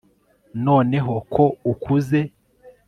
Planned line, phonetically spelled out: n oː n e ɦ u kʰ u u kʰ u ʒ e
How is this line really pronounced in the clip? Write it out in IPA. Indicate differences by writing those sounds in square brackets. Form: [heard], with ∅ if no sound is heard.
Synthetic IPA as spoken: n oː n e ɦ [o] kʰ [o] u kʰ u [z] e